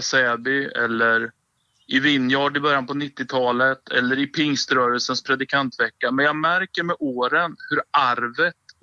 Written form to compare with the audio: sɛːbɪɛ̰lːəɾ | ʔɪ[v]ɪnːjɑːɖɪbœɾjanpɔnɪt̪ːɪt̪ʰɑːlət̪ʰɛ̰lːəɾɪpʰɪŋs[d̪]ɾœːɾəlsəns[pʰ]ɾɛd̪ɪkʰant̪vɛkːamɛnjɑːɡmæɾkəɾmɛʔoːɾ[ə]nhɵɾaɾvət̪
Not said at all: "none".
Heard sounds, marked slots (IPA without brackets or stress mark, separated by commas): v, t̪, pʰ, ə